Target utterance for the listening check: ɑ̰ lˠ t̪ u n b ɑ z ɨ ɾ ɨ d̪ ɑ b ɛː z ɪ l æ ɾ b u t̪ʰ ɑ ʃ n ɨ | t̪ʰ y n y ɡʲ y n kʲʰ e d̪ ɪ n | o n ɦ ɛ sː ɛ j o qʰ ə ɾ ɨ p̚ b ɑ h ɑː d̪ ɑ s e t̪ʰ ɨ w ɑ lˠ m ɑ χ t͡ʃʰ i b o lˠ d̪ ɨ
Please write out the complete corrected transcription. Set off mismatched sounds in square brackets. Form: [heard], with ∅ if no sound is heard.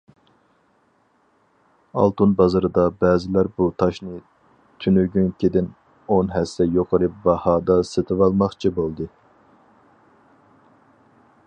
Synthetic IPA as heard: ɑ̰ lˠ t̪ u n b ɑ z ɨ ɾ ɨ d̪ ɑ b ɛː z ɪ l æ ɾ b u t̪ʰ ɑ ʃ n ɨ | t̪ʰ y n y ɡʲ y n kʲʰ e d̪ ɪ n | o n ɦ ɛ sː ɛ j o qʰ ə ɾ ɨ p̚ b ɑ h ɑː d̪ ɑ s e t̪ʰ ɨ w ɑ lˠ m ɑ χ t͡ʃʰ i b o lˠ d̪ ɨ